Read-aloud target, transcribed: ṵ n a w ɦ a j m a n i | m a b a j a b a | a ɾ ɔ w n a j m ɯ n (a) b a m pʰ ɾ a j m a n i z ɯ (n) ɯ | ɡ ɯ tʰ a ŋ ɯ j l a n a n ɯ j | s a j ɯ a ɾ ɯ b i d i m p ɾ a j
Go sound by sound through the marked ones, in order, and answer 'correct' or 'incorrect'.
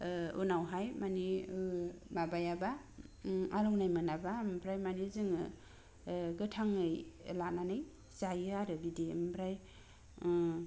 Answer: correct, incorrect: ŋ

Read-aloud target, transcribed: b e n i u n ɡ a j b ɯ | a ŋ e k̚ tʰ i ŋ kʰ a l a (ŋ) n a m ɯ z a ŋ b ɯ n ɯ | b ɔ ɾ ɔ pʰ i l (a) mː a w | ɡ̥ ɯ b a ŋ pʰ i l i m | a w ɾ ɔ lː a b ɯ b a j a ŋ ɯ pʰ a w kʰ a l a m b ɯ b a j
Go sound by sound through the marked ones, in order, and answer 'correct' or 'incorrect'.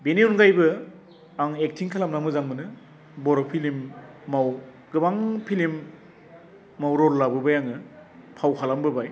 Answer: incorrect: m, incorrect: i

